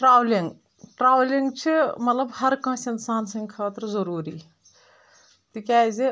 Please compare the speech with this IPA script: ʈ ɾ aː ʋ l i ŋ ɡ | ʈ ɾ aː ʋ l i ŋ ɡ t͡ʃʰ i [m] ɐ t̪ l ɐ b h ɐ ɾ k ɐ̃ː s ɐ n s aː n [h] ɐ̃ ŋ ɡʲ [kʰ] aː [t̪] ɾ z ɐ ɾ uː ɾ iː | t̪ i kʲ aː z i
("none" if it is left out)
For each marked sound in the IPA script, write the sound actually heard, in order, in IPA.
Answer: m, s, kʰ, t̪

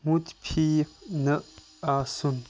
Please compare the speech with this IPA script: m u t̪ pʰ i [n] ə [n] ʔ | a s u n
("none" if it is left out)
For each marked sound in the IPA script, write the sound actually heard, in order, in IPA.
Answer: n, none

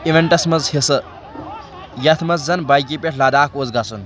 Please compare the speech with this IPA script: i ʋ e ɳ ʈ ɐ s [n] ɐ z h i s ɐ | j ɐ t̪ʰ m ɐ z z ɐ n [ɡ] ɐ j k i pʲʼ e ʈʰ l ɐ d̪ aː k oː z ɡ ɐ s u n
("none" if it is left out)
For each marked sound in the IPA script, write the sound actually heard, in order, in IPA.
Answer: m, b

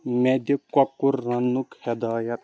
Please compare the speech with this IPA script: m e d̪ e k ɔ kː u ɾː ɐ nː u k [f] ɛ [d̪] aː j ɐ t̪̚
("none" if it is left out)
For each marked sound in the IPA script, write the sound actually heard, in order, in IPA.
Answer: h, d̪

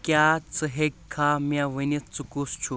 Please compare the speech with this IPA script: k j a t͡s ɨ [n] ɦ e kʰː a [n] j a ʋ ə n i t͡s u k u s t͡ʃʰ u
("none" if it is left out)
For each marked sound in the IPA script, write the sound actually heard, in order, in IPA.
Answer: none, m

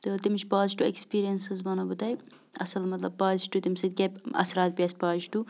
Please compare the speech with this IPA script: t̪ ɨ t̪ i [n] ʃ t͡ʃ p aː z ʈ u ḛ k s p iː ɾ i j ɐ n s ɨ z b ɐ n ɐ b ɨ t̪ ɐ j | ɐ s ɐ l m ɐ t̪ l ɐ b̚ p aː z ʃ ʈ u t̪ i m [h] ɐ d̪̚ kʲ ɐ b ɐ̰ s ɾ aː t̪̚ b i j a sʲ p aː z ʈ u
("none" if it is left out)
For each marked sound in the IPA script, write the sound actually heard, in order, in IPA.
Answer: m, s

